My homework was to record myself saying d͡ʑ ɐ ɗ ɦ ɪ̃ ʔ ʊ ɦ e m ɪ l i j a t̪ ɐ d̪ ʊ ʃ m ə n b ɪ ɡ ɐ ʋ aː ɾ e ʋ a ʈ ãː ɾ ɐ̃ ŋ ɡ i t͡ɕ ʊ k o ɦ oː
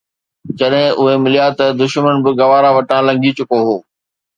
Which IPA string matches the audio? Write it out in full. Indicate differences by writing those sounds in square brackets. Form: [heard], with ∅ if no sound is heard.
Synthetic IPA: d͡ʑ ɐ ɗ ɦ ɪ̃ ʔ ʊ ɦ e m ɪ l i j a t̪ ɐ d̪ ʊ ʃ m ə n b ɪ ɡ ɐ ʋ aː ɾ [a] ʋ [ɐ] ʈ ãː [l] ɐ̃ ŋ ɡ i t͡ɕ ʊ k o ɦ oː